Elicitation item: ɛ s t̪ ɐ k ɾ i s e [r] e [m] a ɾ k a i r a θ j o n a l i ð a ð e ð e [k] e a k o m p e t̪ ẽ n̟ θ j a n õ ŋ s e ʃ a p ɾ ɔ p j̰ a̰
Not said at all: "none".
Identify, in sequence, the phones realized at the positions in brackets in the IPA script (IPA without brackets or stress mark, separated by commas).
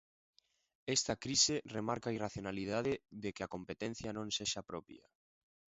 r, m, k